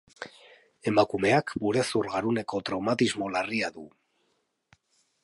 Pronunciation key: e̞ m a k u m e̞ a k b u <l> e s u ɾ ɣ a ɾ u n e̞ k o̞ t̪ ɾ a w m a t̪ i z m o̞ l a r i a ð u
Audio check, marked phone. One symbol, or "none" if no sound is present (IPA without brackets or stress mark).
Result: ɾ